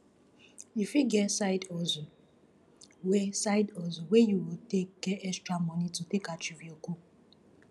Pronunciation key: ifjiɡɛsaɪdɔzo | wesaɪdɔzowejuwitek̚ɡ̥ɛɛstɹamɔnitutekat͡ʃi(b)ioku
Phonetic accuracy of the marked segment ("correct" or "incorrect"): incorrect